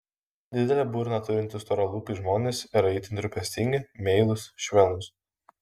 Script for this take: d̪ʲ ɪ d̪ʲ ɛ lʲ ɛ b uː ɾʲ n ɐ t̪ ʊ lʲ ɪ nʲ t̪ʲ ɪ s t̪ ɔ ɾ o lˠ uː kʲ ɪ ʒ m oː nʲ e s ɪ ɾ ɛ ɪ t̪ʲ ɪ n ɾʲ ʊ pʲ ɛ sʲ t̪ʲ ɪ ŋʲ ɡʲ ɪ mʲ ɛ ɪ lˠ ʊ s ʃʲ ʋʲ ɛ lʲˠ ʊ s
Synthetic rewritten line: d̪ʲ ɪ d̪ʲ ɛ lʲ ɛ b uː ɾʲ n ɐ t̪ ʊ ɾʲ ɪ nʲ t̪ʲ ɪ s t̪ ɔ ɾ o lˠ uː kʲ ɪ ʒ m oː nʲ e s ɪ ɾ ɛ ɪ t̪ʲ ɪ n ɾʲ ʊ pʲ ɛ sʲ t̪ʲ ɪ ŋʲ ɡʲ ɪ mʲ ɛ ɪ lˠ ʊ s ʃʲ ʋʲ ɛ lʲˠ ʊ s